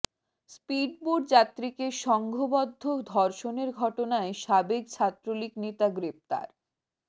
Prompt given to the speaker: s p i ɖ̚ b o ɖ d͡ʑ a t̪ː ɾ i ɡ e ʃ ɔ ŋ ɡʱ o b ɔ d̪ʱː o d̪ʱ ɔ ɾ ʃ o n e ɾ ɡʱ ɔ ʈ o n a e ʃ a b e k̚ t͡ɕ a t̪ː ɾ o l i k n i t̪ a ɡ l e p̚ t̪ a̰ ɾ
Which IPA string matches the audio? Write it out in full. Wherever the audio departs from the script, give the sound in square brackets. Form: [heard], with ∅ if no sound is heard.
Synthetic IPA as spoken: s p i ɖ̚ b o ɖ d͡ʑ a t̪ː ɾ i [k] e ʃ ɔ ŋ ɡʱ o b ɔ d̪ʱː o d̪ʱ ɔ ɾ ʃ o n e ɾ ɡʱ ɔ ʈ o n a e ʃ a b e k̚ [t͡ɕʰ] a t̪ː ɾ o l i k n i t̪ a ɡ [ɾ] e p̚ t̪ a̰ ɾ